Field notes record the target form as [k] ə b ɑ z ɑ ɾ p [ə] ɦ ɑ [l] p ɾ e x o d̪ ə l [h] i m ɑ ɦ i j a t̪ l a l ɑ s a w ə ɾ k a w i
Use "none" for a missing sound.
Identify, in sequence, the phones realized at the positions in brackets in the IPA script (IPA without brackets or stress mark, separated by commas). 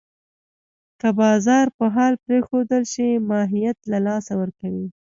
k, ə, l, ʃ